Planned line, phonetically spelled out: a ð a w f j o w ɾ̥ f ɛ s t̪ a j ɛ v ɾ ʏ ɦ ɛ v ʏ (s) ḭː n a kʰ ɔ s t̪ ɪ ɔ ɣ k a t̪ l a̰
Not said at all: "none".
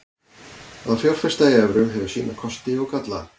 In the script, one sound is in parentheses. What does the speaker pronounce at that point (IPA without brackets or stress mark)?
s